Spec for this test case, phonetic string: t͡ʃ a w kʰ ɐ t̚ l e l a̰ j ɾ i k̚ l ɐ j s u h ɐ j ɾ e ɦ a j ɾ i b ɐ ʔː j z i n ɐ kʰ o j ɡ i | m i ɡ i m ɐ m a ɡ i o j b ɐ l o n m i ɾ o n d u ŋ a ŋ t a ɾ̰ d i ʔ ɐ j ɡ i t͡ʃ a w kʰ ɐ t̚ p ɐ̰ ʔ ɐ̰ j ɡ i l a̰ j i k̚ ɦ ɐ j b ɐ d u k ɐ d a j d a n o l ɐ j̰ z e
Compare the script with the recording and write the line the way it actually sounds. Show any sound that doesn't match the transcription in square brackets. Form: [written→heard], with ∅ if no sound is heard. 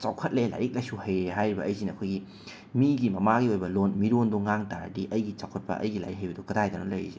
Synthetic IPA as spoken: t͡ʃ a w kʰ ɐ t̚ l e l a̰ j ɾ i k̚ l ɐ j s u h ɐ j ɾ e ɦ a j ɾ i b ɐ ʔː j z i n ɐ kʰ o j ɡ i | m i ɡ i m ɐ m a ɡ i o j b ɐ l o n m i ɾ o n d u ŋ a ŋ t a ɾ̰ d i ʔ ɐ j ɡ i t͡ʃ a w kʰ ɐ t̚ p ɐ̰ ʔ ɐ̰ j ɡ i l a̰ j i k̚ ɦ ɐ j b ɐ d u k ɐ d a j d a n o l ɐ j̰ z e